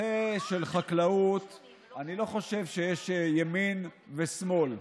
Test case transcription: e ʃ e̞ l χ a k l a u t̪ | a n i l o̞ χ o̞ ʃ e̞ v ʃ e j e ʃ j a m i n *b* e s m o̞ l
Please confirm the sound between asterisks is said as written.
no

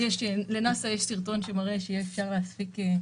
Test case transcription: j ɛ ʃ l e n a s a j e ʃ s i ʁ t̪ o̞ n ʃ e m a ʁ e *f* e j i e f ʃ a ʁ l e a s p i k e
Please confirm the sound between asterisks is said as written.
no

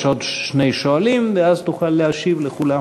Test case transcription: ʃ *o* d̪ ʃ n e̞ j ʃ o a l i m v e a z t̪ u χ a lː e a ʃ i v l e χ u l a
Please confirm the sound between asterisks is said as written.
yes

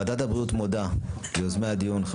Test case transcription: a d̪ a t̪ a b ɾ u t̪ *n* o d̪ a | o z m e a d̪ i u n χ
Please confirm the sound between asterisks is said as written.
no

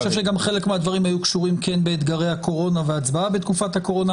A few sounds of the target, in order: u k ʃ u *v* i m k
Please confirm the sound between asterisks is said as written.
no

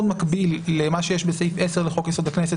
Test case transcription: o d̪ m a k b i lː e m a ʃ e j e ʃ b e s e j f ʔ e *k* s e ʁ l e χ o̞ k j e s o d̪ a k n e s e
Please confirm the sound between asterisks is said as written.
no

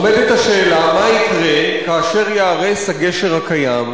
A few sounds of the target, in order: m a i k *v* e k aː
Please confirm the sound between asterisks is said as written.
no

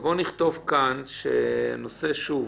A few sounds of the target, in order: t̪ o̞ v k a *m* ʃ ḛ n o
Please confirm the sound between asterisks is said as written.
no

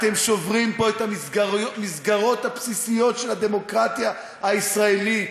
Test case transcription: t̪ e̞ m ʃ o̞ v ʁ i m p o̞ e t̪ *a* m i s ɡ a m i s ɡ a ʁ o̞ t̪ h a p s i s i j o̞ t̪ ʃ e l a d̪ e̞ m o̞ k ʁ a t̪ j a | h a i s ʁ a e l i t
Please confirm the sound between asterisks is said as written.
yes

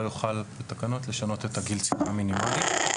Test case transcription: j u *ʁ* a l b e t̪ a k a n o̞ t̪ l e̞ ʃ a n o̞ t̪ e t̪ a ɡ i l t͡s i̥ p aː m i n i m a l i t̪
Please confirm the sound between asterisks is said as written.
no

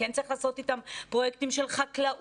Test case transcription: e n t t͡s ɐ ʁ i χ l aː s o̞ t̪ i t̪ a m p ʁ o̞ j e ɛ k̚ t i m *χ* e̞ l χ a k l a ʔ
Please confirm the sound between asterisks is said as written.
no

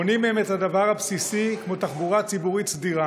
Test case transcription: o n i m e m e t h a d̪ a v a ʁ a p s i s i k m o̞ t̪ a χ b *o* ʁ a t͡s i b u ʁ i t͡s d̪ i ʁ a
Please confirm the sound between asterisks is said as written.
no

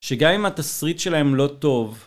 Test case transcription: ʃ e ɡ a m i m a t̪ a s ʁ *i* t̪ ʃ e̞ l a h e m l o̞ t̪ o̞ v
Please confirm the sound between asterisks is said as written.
yes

